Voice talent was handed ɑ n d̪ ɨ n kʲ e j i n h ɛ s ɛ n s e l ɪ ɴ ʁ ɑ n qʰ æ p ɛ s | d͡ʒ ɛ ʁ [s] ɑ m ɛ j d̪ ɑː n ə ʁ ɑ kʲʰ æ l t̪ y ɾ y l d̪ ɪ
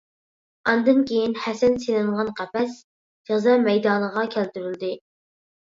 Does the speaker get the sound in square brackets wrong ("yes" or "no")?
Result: yes